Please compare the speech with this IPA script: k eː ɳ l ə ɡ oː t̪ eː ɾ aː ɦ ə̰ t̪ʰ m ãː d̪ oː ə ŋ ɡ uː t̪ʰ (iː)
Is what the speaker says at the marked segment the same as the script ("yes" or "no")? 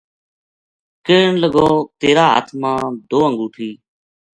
yes